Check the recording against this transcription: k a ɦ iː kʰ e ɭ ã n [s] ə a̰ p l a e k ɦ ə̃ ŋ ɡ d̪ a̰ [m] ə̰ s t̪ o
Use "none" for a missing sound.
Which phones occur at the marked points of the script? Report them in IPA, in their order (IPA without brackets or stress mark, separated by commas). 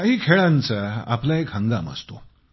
t͡s, m